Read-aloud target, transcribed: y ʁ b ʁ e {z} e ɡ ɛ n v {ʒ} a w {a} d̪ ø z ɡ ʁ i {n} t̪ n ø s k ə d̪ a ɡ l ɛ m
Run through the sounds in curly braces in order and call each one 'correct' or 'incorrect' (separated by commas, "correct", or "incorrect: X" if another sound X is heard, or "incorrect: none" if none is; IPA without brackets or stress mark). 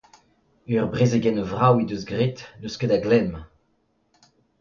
correct, incorrect: ʁ, incorrect: i, incorrect: none